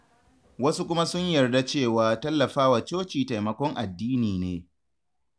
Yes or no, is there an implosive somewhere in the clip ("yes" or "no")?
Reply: no